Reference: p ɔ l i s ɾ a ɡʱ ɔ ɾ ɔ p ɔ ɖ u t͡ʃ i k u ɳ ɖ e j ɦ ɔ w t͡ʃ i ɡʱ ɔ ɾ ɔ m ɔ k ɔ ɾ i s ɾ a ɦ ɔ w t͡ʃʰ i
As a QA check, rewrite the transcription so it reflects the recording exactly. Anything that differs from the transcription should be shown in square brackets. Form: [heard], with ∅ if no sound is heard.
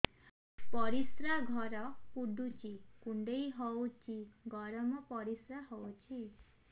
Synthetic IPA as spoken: p ɔ [ɾ] i s ɾ a ɡʱ ɔ ɾ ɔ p [u] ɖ u t͡ʃ i k u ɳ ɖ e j ɦ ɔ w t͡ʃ i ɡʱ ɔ ɾ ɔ m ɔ [p] ɔ ɾ i s ɾ a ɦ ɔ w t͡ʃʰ i